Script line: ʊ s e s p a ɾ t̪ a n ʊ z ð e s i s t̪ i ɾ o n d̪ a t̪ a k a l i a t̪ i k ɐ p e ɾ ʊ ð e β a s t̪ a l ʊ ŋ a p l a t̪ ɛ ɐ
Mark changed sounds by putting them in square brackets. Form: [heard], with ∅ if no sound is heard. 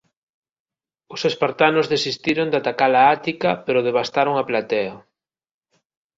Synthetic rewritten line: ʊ s e s p a ɾ t̪ a n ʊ z ð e s i s t̪ i ɾ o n d̪ a t̪ a k a l [a] a t̪ i k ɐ p e ɾ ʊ ð e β a s t̪ a [ɾ] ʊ ŋ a p l a t̪ ɛ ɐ